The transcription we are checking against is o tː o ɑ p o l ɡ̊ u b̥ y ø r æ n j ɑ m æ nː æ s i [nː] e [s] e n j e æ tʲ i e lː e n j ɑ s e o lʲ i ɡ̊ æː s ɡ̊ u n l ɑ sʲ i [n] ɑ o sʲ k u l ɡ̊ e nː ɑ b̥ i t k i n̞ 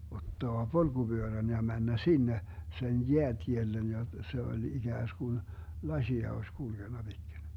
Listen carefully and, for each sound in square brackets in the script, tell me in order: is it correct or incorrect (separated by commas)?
correct, correct, incorrect